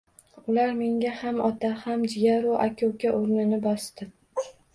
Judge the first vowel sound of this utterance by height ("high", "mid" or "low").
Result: high